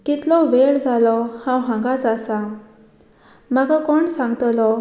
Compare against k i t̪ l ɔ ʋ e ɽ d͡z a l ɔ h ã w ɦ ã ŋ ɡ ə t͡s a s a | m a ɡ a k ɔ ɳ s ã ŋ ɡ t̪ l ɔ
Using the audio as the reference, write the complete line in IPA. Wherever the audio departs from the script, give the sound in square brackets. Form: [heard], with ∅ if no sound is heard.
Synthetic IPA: k i t̪ l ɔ ʋ e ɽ d͡z a l ɔ h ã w ɦ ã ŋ ɡ [a] t͡s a s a | m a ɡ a k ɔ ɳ s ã ŋ ɡ t̪ l ɔ